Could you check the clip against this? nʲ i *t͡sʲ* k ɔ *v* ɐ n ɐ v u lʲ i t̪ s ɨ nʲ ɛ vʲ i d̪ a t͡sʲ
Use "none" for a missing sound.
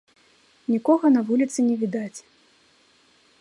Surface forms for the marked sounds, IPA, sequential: none, ɣ

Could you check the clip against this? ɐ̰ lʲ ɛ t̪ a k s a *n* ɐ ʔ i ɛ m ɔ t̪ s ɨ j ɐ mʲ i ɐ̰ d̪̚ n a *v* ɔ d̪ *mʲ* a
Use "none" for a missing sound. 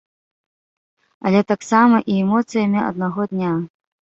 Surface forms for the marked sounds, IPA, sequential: m, ɣ, nʲ

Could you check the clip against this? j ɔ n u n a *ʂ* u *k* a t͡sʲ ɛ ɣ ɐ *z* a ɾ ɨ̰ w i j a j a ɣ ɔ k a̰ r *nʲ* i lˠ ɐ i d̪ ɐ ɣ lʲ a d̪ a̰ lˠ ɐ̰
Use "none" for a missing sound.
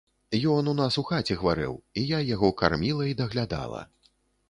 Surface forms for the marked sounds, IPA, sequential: s, x, v, mʲ

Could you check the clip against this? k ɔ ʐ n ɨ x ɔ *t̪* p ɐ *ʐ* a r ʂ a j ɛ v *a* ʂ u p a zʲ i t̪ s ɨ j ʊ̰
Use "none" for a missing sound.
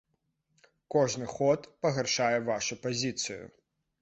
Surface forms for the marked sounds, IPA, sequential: t̪, ɣ, a

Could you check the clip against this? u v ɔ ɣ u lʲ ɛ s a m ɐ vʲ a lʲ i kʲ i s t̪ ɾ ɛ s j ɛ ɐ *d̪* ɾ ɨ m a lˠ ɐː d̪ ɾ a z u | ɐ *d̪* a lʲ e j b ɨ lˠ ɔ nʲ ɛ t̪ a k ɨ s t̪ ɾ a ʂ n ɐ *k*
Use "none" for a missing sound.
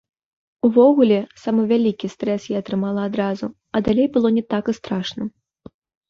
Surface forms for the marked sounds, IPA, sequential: t̪, d̪, none

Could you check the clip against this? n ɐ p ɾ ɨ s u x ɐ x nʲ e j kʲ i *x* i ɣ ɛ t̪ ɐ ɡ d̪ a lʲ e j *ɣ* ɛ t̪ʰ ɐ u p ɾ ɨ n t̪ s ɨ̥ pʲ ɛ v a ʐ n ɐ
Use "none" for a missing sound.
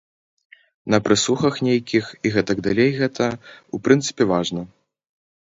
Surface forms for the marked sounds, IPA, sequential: x, ɣ

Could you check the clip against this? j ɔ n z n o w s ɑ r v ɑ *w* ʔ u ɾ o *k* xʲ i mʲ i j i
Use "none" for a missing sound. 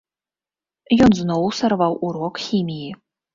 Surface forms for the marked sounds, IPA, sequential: w, k

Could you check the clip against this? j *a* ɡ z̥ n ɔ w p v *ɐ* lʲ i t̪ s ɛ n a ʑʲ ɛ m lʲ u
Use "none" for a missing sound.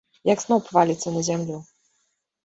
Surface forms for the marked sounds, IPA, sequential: a, a

